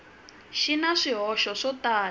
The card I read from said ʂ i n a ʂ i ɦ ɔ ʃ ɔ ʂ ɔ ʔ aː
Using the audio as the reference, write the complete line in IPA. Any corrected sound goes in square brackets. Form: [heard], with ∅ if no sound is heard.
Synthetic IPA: [ʃ] i n a ʂ i ɦ ɔ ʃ ɔ ʂ ɔ [t] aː